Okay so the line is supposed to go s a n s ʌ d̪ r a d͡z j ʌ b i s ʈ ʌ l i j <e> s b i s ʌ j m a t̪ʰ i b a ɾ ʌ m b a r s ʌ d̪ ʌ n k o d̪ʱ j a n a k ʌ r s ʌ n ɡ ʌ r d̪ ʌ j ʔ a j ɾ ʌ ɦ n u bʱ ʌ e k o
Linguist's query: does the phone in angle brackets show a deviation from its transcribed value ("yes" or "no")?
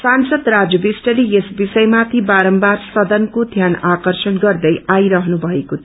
no